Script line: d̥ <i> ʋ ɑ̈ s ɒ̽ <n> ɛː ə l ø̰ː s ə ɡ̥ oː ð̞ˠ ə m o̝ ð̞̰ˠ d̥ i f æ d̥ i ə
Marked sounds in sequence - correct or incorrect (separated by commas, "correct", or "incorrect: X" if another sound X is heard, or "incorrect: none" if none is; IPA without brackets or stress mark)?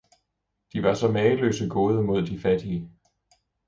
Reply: correct, incorrect: m